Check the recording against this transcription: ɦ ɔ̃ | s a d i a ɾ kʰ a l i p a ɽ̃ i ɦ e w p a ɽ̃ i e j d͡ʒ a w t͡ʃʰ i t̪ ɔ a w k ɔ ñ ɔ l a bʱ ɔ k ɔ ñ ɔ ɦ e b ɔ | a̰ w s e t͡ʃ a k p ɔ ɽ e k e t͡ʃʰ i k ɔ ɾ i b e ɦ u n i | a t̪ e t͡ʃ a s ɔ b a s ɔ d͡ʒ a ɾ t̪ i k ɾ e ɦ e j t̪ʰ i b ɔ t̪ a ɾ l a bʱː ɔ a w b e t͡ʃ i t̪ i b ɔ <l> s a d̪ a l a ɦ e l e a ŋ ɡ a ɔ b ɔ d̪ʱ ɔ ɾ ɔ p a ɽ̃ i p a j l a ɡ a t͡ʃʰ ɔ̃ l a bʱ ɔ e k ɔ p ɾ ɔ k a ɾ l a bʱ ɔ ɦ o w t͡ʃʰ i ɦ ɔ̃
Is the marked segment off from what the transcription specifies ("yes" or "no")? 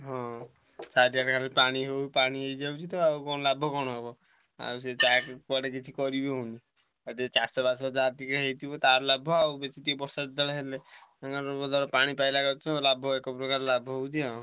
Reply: yes